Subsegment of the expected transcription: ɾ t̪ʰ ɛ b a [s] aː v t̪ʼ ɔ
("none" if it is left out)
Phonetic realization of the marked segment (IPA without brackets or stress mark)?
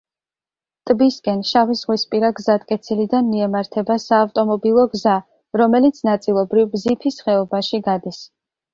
s